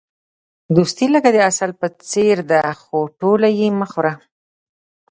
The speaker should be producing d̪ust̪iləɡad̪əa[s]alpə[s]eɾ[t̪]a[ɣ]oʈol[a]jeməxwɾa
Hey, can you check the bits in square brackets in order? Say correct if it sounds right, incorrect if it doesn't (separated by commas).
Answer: correct, incorrect, incorrect, incorrect, correct